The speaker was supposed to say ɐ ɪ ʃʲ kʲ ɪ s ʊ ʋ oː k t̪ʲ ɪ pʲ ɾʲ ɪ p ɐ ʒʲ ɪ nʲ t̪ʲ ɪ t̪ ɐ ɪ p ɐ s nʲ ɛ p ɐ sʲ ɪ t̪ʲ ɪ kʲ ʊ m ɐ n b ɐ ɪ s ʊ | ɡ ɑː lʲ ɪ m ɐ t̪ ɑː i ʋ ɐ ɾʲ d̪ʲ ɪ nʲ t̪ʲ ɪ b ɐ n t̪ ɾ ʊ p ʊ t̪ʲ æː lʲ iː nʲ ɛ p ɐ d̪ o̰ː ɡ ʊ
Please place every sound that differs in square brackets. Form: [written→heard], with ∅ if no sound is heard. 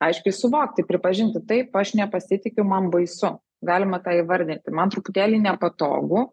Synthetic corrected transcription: ɐ ɪ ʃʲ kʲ ɪ s ʊ ʋ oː k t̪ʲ ɪ pʲ ɾʲ ɪ p ɐ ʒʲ ɪ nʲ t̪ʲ ɪ t̪ ɐ ɪ p ɐ [s→ʃ] nʲ ɛ p ɐ sʲ ɪ t̪ʲ ɪ kʲ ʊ m ɐ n b ɐ ɪ s ʊ | ɡ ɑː lʲ ɪ m ɐ t̪ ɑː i ʋ ɐ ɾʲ d̪ʲ ɪ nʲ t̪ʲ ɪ [b→m] ɐ n t̪ ɾ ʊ p ʊ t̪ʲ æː lʲ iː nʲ ɛ p ɐ [d̪→t̪] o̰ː ɡ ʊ